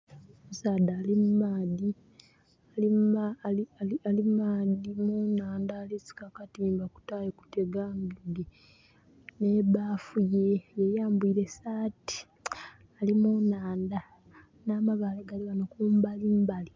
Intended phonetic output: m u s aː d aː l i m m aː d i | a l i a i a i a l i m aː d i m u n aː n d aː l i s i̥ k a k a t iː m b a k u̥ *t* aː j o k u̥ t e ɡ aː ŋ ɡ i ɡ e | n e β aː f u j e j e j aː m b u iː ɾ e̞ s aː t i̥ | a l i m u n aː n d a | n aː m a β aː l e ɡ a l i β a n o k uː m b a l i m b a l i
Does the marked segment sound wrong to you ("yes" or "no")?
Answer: no